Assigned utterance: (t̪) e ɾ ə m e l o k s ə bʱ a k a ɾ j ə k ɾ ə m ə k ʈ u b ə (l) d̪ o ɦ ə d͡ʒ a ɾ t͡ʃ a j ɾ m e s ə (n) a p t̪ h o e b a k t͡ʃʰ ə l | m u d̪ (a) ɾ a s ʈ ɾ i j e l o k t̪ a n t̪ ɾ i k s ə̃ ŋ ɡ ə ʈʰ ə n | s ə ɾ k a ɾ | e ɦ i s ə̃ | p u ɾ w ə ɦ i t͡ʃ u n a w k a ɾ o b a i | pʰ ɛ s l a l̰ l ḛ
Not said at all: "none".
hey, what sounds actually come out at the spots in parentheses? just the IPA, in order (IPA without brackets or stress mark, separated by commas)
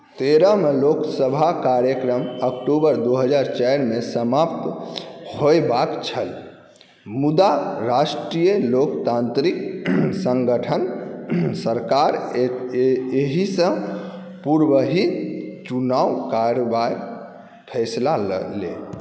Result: t̪, ɾ, m, a